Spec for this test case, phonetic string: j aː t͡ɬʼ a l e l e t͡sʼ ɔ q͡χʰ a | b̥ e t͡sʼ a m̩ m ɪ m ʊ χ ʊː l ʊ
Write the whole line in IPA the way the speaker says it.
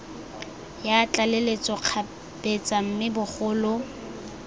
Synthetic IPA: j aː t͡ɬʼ a l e l e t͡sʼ ɔ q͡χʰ a | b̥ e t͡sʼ a m̩ m ɪ b ʊ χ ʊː l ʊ